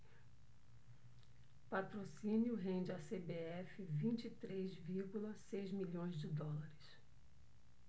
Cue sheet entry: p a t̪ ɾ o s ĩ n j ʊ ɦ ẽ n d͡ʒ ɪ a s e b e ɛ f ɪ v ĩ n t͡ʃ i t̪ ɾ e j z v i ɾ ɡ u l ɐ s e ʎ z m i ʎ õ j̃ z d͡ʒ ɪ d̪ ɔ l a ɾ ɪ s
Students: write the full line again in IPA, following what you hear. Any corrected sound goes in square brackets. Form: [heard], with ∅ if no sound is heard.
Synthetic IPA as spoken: p a t̪ ɾ o s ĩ n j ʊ ɦ ẽ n d͡ʒ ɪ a s e b e ɛ f ɪ v ĩ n t͡ʃ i t̪ ɾ e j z v i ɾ ɡ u l ɐ s e [j] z m i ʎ õ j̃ z d͡ʒ ɪ d̪ ɔ l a ɾ ɪ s